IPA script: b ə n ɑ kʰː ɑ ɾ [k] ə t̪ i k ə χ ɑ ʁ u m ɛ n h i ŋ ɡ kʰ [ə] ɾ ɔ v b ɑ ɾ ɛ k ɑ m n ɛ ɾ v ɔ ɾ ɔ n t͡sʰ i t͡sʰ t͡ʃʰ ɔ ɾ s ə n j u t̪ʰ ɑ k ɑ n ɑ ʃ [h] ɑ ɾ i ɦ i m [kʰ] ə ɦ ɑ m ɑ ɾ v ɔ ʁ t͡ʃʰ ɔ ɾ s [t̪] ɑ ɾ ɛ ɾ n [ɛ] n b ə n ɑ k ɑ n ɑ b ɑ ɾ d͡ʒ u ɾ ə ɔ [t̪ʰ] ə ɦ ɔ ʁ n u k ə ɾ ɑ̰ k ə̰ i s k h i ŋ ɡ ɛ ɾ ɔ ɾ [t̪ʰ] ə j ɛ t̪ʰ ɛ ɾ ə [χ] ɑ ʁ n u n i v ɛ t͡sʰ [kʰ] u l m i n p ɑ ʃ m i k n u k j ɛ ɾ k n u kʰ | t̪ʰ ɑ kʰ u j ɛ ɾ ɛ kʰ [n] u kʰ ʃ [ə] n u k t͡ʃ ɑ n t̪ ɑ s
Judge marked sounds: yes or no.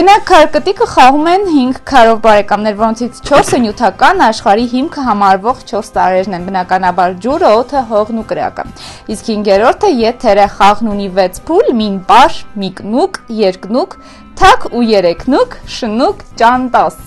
yes, no, no, yes, yes, yes, yes, yes, yes, no, yes, yes

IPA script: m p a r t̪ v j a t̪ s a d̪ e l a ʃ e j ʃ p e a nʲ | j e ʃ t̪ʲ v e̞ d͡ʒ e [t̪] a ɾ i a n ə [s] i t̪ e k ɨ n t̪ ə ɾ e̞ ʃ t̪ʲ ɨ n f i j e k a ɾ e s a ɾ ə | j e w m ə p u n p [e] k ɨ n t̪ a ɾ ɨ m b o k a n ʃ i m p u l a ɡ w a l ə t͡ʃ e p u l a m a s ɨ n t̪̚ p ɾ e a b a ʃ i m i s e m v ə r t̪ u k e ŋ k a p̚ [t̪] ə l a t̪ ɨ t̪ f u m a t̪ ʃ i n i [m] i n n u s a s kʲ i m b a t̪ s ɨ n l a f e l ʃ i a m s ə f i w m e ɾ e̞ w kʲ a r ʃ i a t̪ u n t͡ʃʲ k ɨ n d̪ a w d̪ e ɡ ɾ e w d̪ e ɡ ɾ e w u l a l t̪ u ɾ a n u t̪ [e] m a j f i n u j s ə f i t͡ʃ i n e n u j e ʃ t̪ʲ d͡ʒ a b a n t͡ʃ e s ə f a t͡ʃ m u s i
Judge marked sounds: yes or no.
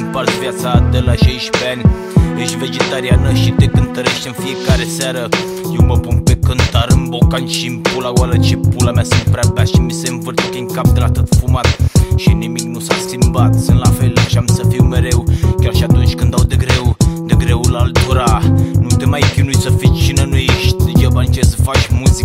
yes, no, yes, no, yes, yes

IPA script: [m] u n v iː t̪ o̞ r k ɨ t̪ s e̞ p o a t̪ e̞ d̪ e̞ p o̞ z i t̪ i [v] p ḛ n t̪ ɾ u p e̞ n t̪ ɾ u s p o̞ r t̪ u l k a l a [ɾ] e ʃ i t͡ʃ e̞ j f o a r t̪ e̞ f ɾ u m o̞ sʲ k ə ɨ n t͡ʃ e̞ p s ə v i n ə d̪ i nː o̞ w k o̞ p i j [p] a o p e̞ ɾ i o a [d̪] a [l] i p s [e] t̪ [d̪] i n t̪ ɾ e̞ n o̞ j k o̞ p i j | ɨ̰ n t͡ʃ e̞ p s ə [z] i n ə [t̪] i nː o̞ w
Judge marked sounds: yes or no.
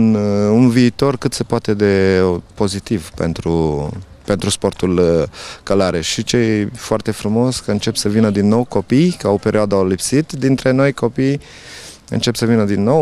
no, yes, yes, no, yes, yes, no, yes, no, no

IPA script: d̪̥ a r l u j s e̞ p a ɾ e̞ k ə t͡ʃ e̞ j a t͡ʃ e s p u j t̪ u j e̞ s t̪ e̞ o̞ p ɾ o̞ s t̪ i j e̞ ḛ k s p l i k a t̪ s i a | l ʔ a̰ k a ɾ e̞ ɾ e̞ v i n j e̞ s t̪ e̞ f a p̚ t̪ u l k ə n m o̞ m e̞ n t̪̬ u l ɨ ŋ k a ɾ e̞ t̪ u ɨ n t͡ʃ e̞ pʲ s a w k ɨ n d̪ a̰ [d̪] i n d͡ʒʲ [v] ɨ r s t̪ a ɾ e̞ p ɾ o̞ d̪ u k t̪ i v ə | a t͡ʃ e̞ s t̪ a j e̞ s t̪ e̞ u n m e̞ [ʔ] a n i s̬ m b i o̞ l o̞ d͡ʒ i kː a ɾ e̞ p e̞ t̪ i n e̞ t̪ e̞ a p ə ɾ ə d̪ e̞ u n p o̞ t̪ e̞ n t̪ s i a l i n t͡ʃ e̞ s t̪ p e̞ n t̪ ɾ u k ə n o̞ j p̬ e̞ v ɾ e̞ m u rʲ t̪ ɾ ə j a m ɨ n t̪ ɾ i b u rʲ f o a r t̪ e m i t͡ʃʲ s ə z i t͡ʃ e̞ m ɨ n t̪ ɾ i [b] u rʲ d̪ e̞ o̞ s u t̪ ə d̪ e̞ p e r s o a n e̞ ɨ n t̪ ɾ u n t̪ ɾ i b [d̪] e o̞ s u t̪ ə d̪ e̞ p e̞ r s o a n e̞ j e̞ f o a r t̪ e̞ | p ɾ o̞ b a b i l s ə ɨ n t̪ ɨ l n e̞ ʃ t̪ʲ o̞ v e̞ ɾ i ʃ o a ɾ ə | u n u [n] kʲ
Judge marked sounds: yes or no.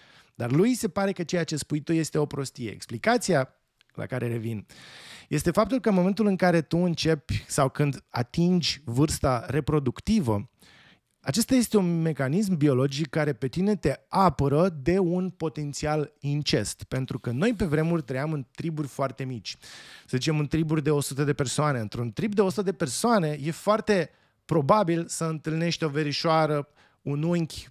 no, yes, no, yes, yes, no

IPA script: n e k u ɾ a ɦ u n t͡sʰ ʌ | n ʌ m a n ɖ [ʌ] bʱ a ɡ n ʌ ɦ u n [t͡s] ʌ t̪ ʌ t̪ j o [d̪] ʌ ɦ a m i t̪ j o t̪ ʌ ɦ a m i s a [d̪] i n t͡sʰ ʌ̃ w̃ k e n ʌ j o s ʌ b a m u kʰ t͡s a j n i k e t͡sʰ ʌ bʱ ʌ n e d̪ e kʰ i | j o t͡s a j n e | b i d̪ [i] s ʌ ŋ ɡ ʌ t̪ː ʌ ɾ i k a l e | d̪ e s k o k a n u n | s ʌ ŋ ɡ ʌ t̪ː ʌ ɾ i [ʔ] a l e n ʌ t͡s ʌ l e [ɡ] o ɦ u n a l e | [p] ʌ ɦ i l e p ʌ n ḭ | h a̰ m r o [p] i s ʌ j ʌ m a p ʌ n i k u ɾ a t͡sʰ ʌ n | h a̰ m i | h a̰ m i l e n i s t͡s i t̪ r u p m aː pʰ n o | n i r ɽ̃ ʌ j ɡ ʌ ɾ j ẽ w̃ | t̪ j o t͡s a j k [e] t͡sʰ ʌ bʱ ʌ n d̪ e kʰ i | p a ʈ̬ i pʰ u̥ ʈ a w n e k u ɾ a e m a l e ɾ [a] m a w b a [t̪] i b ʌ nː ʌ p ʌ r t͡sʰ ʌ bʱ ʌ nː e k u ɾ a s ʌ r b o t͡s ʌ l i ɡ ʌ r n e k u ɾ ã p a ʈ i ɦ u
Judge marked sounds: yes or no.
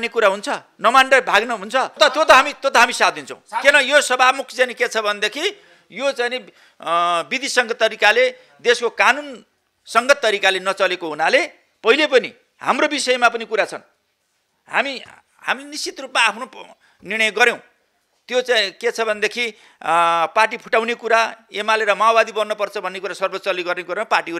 yes, no, no, yes, yes, no, no, yes, no, yes, no, no

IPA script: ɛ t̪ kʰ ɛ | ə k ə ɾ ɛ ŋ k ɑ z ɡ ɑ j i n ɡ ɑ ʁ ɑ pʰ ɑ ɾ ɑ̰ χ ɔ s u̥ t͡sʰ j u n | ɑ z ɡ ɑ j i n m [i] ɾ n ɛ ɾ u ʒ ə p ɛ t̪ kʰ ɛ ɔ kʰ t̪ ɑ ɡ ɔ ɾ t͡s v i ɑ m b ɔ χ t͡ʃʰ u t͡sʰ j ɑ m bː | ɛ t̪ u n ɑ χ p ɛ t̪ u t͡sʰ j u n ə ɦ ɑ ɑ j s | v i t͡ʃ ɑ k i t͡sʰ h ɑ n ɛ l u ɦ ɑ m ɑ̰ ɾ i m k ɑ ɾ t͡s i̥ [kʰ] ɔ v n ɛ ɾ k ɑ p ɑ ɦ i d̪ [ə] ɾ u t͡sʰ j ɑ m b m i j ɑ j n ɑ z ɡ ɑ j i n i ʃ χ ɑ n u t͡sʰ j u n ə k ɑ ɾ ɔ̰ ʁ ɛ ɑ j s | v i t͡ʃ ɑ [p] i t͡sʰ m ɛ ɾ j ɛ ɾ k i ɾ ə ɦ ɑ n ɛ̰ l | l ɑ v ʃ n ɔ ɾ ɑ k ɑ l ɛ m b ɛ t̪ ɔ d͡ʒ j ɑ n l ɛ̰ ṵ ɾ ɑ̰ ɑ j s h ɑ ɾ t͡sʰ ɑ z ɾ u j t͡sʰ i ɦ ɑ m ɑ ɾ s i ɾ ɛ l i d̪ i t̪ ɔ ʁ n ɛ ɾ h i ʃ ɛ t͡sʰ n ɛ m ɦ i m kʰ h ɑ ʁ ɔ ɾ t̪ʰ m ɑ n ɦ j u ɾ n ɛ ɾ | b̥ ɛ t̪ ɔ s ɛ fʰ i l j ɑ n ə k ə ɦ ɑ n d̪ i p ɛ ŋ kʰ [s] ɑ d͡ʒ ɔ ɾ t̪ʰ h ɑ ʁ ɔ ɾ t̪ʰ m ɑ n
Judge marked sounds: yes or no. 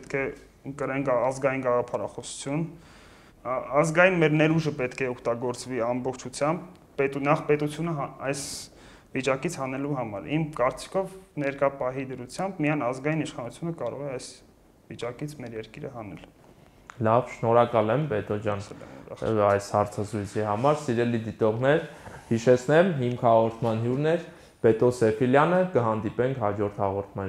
no, yes, yes, no, no

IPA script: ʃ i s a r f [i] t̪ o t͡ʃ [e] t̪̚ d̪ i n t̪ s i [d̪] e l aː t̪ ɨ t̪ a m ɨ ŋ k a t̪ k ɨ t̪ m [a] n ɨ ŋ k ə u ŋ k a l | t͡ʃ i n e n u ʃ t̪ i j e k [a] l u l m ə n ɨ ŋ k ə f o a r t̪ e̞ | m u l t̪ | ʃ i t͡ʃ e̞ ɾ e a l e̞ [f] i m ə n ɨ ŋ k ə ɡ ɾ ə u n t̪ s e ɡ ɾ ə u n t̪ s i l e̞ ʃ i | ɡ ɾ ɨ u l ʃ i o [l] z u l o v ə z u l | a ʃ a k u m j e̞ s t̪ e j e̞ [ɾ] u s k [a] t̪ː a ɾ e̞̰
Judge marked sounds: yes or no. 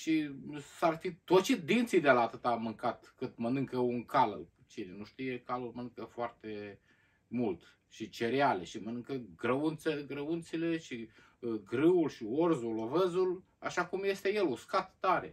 yes, no, yes, no, yes, no, no, no, yes

